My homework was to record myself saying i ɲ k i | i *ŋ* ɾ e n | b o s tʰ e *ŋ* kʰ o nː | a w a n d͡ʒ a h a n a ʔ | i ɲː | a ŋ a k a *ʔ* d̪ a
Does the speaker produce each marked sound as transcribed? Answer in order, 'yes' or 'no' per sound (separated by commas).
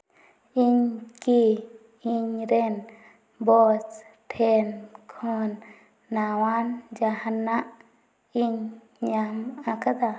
no, no, no